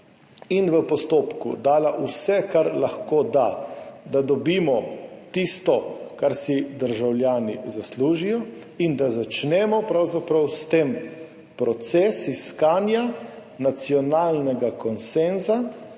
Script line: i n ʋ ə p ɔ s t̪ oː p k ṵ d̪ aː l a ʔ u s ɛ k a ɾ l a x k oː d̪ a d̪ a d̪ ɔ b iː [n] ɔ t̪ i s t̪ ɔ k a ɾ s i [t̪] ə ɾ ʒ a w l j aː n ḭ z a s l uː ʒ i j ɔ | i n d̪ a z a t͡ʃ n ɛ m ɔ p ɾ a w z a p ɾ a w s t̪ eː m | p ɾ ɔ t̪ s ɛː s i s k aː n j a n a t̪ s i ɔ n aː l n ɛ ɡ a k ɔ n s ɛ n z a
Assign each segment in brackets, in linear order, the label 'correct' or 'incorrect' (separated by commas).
incorrect, incorrect